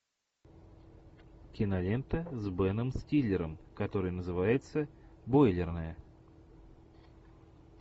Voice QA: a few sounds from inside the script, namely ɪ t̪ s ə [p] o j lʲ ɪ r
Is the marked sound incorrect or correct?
incorrect